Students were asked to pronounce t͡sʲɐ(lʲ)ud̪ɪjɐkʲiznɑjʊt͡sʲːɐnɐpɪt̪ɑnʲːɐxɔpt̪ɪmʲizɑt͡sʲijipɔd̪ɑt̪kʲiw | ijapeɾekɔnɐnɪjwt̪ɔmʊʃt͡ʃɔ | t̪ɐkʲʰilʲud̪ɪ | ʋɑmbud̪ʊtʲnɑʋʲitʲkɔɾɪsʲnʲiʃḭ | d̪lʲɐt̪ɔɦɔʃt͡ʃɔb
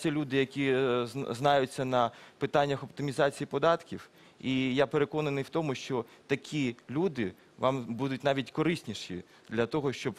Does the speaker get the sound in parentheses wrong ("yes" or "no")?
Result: no